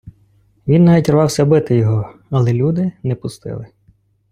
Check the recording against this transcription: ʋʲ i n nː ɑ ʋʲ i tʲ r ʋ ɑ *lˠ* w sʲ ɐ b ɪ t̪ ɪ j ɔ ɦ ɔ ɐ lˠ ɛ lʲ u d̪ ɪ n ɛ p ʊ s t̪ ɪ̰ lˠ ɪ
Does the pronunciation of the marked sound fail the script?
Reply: yes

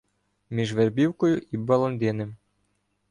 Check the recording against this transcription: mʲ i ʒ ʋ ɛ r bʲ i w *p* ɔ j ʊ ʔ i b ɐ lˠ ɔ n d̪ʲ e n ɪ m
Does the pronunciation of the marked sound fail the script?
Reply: yes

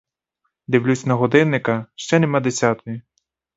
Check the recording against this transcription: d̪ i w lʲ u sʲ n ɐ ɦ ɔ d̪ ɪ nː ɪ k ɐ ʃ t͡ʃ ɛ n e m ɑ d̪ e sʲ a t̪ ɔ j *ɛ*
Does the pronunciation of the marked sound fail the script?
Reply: yes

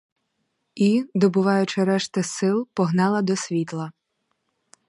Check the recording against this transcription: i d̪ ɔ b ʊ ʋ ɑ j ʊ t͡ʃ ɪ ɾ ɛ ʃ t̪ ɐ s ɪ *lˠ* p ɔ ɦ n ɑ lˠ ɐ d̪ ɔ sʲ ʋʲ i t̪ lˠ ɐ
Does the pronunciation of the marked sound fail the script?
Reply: no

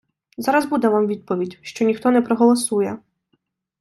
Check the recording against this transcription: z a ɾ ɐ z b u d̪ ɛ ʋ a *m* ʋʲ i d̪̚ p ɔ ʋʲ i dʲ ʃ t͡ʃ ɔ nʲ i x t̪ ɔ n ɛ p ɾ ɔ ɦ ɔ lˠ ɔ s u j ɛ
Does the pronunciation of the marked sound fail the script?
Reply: no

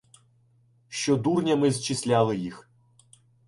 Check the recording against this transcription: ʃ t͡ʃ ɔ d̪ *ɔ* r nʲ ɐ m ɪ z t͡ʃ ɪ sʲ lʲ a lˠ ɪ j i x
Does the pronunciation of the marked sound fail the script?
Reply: yes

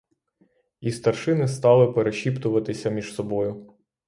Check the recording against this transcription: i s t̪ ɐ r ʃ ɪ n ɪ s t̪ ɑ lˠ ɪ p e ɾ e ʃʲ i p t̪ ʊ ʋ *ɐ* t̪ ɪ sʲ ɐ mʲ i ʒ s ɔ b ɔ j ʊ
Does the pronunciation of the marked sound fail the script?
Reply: no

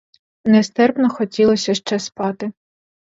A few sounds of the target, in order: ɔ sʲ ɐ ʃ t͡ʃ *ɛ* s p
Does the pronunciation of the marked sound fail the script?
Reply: no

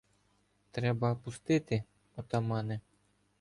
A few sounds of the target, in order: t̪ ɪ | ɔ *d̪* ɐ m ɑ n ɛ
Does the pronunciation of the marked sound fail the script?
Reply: yes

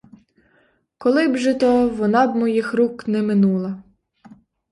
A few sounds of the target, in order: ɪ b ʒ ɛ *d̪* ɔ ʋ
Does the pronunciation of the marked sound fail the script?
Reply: yes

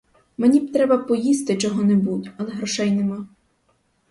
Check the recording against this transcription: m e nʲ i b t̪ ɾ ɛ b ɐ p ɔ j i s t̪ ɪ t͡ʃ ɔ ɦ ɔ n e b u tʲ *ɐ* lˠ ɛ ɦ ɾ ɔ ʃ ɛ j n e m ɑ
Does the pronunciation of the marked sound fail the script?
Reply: no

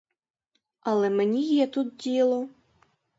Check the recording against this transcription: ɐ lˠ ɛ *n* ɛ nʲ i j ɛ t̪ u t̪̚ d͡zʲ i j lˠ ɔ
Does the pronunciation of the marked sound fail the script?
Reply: yes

